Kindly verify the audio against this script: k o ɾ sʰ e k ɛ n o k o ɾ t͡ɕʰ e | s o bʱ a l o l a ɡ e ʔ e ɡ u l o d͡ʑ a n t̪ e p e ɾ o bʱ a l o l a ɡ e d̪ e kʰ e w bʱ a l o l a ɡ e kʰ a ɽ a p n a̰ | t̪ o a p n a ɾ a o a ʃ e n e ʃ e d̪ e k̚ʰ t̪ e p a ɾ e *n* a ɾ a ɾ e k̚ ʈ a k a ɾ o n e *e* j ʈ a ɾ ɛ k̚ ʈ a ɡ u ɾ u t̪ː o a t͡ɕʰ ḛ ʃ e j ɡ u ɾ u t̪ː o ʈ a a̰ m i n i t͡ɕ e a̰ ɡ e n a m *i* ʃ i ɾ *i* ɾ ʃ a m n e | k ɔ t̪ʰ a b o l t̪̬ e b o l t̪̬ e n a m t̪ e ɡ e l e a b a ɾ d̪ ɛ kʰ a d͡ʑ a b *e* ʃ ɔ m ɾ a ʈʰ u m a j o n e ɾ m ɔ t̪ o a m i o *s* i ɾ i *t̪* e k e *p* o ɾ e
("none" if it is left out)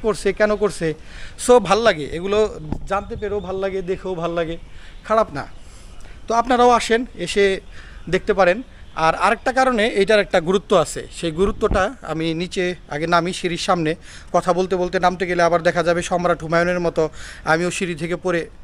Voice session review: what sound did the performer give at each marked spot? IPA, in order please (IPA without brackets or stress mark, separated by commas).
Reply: n, e, i, i, e, ʃ, t̪ʰ, p